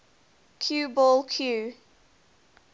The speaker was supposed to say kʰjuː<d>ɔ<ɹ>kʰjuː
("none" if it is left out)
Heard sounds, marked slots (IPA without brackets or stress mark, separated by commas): b, l